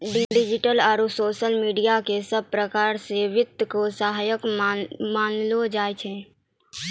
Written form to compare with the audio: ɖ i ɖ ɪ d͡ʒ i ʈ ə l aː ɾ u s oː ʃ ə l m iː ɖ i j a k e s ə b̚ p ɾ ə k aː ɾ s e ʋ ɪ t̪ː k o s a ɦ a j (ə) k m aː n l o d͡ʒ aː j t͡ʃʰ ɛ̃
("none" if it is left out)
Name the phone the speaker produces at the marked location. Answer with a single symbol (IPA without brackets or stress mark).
ə